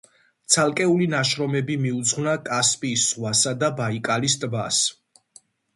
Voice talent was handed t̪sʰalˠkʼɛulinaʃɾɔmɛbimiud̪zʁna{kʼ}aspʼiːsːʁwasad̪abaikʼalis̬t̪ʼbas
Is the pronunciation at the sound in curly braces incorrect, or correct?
correct